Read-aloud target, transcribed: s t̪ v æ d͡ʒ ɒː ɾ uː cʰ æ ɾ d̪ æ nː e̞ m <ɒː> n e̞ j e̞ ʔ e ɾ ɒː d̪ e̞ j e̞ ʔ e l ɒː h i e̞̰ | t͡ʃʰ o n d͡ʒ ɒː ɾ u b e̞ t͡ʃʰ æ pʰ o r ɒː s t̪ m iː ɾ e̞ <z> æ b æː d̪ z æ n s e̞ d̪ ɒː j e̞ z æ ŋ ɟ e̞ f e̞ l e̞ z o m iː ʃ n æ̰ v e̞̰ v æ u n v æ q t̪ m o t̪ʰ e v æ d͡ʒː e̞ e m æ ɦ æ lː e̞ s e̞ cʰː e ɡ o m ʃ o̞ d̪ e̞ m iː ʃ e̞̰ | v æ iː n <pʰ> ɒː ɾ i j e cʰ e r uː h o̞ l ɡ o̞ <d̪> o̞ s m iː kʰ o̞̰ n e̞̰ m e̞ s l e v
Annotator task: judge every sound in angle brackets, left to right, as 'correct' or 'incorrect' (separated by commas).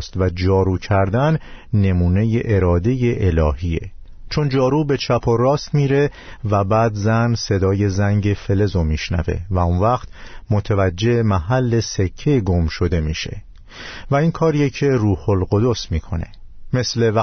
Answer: incorrect, incorrect, incorrect, correct